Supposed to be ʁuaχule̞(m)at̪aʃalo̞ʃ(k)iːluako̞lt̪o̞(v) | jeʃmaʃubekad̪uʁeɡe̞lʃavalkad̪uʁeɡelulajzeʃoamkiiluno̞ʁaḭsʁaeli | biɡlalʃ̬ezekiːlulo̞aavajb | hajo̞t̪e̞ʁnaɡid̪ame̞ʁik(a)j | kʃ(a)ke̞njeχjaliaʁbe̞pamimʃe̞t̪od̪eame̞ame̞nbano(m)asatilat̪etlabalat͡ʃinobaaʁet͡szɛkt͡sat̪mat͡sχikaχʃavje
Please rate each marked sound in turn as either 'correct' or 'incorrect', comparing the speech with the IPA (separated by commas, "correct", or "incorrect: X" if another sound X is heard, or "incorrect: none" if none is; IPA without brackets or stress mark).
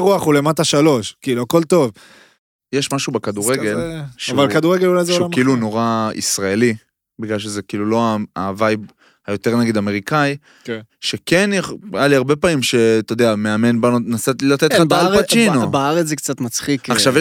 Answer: correct, correct, correct, correct, incorrect: e, incorrect: n